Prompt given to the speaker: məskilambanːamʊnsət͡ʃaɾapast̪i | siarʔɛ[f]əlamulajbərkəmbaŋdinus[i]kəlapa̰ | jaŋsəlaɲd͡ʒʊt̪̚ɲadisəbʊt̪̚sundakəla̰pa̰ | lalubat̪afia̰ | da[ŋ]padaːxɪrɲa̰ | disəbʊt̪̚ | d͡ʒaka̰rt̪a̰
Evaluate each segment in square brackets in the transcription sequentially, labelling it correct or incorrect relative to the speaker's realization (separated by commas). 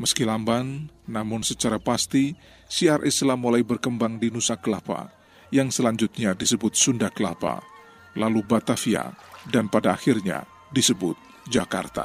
incorrect, incorrect, incorrect